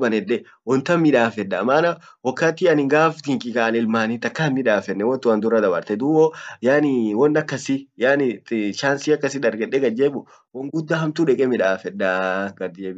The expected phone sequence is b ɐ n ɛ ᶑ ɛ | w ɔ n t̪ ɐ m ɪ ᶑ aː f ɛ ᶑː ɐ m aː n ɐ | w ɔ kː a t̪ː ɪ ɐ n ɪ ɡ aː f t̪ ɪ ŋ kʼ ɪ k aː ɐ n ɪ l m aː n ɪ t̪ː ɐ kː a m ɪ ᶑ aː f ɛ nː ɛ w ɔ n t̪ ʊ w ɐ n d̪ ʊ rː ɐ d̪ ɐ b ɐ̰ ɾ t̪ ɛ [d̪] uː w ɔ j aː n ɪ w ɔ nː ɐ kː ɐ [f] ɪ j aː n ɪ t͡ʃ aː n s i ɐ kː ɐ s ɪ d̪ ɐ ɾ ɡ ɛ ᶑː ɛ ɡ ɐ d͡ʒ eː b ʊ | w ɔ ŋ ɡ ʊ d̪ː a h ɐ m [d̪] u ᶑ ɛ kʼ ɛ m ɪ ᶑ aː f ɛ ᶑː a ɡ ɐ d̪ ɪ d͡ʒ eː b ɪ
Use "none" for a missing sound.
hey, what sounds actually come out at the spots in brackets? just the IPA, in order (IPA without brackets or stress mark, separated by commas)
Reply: d̪, s, t̪